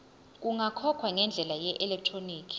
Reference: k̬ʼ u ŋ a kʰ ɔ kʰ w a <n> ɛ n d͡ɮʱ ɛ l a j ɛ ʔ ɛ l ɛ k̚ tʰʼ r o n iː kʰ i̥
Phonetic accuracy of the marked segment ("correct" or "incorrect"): incorrect